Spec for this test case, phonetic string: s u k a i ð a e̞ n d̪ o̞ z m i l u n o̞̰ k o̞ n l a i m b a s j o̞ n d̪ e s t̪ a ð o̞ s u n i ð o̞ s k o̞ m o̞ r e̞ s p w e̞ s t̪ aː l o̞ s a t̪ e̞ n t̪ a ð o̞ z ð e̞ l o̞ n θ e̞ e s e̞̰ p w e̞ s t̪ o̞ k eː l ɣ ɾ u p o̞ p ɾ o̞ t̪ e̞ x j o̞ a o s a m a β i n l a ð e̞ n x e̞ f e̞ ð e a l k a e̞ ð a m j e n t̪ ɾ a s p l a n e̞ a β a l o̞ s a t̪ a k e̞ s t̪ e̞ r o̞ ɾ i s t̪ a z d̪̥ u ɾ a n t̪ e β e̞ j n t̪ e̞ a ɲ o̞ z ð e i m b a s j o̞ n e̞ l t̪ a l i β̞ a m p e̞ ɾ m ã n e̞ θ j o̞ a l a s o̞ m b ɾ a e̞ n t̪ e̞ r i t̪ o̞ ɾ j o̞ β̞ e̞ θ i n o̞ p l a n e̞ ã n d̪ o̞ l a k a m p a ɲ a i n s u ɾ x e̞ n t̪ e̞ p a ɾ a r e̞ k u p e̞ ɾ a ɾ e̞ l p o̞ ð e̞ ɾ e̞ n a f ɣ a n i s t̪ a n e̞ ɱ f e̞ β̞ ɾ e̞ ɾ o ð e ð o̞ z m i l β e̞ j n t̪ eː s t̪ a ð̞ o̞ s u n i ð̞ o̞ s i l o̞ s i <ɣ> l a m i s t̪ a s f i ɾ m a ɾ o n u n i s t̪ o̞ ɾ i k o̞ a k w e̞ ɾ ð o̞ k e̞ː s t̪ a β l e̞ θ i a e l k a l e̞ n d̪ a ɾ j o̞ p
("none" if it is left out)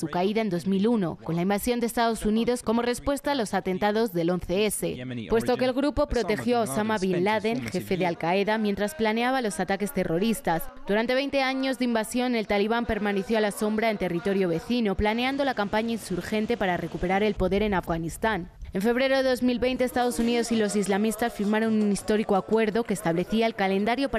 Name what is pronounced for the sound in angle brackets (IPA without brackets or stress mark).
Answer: z